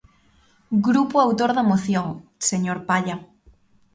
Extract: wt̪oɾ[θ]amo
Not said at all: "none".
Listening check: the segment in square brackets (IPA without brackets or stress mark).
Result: ð